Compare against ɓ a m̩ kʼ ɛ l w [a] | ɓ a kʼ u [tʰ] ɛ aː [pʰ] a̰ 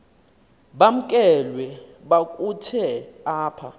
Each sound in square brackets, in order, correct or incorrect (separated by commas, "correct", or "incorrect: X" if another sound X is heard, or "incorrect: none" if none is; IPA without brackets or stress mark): incorrect: ɛ, correct, correct